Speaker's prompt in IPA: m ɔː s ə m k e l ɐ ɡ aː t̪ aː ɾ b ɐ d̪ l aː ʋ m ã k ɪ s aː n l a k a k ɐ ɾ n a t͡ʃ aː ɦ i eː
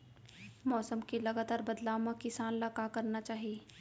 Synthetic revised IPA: m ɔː s ə m k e l ɐ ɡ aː t̪ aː ɾ b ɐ d̪ l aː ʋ m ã k ɪ s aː n l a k a k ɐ ɾ n a t͡ʃ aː ɦ i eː